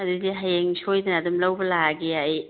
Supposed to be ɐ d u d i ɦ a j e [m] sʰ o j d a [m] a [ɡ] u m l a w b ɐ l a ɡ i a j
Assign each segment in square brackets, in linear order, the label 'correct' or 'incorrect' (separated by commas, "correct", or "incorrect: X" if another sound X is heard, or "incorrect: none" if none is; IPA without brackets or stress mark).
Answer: incorrect: ŋ, incorrect: n, incorrect: d